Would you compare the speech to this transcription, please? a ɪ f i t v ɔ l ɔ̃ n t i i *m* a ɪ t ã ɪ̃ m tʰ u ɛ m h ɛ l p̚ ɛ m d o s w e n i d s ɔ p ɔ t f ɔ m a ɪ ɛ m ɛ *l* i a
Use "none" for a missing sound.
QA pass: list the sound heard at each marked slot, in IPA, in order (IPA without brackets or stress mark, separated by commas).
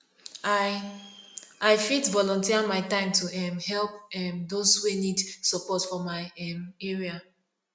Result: m, ɹ